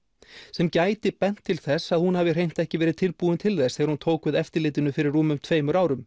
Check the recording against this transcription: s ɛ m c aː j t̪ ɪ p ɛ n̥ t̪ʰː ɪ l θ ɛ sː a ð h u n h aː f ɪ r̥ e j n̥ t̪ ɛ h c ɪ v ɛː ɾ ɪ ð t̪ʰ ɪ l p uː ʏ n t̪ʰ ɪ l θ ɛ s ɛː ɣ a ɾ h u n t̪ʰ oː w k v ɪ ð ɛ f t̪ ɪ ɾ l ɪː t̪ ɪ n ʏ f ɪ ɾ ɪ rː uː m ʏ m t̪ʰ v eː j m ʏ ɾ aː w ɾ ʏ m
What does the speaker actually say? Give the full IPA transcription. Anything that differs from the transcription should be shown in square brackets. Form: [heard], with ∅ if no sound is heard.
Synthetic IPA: s ɛ m c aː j t̪ ɪ p ɛ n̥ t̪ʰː ɪ l θ ɛ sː a ð h u n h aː [v] ɪ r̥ e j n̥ t̪ ɛ h c ɪ v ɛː ɾ ɪ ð t̪ʰ ɪ l p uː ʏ n t̪ʰ ɪ l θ ɛ s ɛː ɣ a ɾ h u n t̪ʰ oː w k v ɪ ð ɛ f t̪ ɪ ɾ l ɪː t̪ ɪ n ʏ f ɪ ɾ ɪ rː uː m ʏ m t̪ʰ v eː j m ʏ ɾ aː w ɾ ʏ m